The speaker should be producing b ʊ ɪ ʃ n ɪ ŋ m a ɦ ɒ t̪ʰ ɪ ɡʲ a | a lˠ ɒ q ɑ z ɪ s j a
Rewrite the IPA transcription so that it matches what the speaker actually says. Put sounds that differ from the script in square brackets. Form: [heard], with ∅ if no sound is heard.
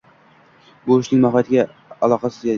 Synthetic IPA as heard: b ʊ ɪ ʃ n ɪ ŋ m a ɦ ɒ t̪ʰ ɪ ɡʲ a | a lˠ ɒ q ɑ [s] ɪ [z] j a